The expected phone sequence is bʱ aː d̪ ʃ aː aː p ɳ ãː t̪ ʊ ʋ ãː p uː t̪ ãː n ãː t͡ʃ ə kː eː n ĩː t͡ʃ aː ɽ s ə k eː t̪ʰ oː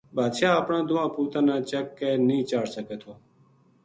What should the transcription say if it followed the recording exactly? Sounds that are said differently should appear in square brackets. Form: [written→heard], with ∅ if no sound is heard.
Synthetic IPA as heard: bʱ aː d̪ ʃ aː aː p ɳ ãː [t̪→d̪] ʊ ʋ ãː p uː t̪ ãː n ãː t͡ʃ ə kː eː n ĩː t͡ʃ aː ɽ s ə k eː t̪ʰ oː